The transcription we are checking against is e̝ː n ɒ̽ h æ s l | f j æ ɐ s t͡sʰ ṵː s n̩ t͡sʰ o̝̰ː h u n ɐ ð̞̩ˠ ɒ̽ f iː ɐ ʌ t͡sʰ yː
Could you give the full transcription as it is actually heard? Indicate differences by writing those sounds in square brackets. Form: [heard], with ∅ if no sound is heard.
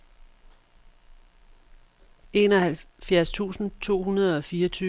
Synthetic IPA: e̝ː n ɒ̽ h æ [∅] l | f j æ ɐ s t͡sʰ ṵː s n̩ t͡sʰ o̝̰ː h u n ɐ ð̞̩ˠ ɒ̽ f iː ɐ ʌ t͡sʰ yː